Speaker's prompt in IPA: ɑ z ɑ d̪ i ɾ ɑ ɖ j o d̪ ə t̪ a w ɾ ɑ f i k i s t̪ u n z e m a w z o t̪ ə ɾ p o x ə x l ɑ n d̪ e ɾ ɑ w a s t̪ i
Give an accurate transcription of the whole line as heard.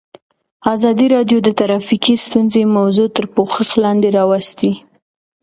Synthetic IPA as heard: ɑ z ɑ d̪ i ɾ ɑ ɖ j o d̪ ə t̪ a ɾ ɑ f i k i s t̪ u n z e m a w z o t̪ ə ɾ p o x ə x l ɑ n d̪ e ɾ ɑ w a s t̪ i